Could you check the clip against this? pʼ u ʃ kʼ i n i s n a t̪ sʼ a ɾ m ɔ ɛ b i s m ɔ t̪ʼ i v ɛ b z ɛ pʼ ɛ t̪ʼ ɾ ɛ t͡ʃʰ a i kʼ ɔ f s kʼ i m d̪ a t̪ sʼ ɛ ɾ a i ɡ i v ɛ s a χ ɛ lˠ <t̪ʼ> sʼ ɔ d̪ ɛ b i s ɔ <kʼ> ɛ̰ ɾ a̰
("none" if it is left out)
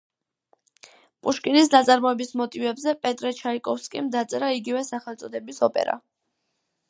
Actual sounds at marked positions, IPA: t̪, pʼ

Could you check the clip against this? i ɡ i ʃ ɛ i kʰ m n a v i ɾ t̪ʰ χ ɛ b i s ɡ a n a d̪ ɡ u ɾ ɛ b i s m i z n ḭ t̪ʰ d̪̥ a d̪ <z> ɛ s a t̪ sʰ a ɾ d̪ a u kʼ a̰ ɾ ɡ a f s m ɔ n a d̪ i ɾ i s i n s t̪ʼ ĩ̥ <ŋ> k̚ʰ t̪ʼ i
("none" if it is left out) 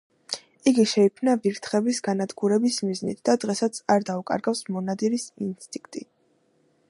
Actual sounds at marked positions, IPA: ʁ, ŋ

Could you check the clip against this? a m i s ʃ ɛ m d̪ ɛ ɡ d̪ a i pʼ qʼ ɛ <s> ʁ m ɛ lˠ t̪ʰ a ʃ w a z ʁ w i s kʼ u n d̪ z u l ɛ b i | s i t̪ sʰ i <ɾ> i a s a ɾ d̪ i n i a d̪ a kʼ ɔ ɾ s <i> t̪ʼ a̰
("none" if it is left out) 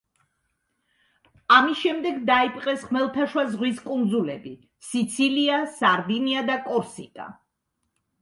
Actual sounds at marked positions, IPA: s, l, i

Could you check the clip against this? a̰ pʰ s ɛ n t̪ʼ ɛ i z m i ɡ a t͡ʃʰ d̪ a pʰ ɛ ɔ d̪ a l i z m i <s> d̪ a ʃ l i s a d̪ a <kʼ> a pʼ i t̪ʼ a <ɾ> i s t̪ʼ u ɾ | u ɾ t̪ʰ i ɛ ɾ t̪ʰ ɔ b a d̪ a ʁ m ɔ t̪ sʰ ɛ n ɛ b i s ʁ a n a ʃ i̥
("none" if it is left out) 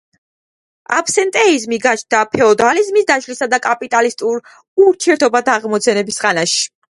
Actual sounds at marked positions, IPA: s, kʼ, l

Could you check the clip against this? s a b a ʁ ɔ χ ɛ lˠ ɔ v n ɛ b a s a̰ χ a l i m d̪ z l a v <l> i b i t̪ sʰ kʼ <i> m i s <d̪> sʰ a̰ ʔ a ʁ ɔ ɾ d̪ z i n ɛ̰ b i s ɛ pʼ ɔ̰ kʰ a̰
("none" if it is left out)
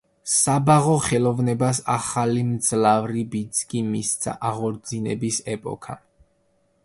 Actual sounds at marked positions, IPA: ɾ, i, t̪

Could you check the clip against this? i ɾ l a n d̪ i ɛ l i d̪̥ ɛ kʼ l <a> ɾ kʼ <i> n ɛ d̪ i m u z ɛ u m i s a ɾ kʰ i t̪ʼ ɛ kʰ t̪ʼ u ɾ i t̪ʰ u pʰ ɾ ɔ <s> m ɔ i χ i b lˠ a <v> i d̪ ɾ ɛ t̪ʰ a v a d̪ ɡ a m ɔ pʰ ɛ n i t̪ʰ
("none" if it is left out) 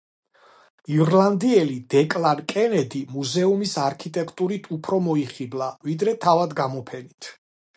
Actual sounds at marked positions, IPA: a, ɛ, none, v

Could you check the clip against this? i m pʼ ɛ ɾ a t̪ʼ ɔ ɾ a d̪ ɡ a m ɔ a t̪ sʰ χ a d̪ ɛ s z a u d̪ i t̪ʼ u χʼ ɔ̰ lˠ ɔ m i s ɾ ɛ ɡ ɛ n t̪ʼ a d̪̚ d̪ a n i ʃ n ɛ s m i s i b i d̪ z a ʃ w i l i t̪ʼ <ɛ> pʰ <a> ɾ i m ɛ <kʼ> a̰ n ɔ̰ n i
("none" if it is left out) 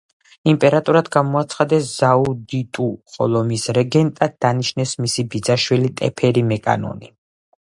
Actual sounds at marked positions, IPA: ɛ, ɛ, kʼ

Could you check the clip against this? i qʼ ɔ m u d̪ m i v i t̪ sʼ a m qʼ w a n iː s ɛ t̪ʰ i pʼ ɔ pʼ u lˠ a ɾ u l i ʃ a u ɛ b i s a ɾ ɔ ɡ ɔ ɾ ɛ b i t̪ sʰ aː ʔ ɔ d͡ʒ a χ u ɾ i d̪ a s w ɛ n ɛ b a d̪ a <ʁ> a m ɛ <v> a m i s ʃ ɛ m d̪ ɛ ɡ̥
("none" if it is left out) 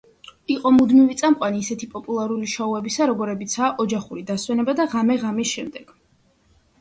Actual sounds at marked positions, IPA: ʁ, ʁ

